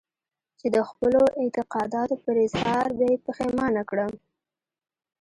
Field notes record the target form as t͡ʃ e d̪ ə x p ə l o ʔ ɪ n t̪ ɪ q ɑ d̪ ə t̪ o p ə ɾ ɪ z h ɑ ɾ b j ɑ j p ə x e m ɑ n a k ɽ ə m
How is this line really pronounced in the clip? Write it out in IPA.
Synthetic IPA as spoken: t͡ʃ e d̪ ə x p ə l o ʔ ɪ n t̪ ɪ q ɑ d̪ ɑ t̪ o p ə ɾ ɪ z h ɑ ɾ b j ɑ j p ə x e m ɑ n a k ɽ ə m